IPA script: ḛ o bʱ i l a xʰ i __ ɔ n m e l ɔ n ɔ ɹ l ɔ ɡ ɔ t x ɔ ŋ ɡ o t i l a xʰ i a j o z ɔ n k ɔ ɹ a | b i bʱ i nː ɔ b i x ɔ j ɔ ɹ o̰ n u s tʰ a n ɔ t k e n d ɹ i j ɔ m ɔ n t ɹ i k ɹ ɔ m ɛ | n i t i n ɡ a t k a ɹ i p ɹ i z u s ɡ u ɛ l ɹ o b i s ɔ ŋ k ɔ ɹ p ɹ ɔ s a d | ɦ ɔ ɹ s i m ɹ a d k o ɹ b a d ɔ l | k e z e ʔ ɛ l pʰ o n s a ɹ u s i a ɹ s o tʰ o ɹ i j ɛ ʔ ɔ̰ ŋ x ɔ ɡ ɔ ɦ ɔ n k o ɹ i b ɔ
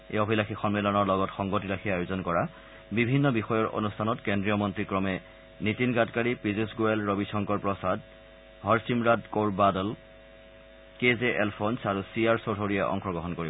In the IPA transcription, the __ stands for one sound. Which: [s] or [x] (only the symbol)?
x